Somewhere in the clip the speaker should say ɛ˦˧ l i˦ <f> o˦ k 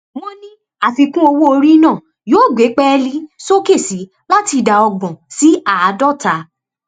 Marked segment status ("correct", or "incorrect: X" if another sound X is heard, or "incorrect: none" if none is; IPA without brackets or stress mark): incorrect: s